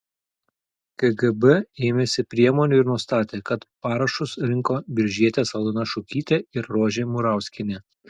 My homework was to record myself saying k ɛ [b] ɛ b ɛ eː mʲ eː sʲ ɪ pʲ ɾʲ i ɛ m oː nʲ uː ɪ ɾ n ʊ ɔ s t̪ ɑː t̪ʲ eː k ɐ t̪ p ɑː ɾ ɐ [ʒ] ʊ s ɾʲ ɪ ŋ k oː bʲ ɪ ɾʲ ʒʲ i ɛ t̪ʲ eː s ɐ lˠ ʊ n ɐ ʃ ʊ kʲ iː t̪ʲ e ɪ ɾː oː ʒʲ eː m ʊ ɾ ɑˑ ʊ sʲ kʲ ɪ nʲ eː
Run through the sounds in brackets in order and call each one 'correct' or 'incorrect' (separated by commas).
incorrect, incorrect